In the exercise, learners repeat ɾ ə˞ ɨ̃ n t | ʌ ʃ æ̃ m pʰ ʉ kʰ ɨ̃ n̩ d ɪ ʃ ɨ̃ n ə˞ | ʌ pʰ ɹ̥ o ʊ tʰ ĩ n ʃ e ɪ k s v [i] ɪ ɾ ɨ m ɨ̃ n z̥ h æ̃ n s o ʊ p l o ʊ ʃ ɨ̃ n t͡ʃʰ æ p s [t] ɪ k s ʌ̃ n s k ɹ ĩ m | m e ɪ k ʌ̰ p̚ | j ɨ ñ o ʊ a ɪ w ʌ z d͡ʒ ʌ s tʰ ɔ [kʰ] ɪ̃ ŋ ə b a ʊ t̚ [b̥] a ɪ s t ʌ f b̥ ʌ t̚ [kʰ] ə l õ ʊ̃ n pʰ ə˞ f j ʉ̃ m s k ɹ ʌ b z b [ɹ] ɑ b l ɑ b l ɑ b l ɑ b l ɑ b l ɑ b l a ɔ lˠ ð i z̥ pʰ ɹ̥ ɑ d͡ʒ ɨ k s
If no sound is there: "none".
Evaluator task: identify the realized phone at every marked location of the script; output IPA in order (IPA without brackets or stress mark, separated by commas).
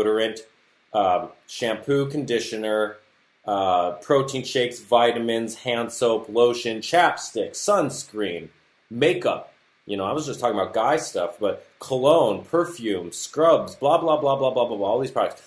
a, t, k, ɡ̥, kʰ, l